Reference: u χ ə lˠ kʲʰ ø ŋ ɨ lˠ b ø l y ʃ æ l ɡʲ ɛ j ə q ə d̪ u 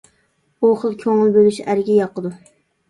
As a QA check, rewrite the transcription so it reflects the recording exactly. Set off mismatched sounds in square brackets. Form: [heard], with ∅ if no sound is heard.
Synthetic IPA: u χ ə lˠ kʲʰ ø ŋ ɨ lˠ b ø l y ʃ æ [ɾ] ɡʲ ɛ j [ɑ] q ə d̪ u